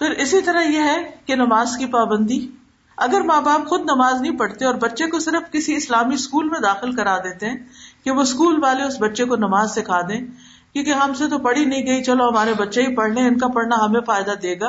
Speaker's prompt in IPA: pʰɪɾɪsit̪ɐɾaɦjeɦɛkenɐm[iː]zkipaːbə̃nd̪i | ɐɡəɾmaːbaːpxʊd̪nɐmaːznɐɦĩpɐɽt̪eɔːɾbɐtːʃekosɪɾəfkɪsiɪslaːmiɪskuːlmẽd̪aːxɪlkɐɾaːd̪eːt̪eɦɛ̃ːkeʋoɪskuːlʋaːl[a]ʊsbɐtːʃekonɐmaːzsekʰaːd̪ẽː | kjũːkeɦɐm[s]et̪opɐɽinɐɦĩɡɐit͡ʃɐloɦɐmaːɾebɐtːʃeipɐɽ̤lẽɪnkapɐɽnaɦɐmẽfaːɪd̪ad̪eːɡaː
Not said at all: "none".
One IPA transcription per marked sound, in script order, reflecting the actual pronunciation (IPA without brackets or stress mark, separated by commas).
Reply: aː, e, s